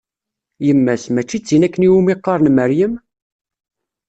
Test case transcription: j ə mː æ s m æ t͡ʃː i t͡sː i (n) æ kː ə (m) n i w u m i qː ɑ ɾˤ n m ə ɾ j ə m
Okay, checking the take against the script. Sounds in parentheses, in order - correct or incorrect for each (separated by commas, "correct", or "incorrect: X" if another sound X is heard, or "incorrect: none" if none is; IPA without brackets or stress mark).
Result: correct, incorrect: none